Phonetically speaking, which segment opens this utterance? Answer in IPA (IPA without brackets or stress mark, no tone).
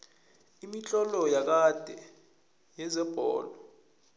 i